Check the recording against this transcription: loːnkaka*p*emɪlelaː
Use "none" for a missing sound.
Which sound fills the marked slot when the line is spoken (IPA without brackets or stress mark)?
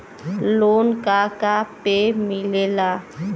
p